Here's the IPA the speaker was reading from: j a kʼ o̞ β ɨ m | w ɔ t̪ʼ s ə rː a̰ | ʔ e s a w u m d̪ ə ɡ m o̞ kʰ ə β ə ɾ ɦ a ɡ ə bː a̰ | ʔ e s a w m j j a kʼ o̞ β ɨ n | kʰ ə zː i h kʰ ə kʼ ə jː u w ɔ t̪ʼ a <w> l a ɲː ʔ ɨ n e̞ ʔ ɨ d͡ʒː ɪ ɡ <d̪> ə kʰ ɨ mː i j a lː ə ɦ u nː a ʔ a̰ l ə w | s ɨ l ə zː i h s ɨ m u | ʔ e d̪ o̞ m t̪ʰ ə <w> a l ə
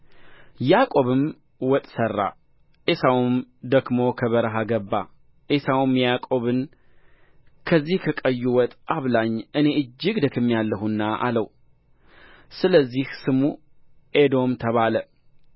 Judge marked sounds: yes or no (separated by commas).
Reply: no, yes, no